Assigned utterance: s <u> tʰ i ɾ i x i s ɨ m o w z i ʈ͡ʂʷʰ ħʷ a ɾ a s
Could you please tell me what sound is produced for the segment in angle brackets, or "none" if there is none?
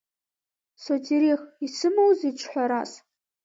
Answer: o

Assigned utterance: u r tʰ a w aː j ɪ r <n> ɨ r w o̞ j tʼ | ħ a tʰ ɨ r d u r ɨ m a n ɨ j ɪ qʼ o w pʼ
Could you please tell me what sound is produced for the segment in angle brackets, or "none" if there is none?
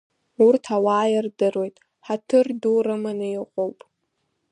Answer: d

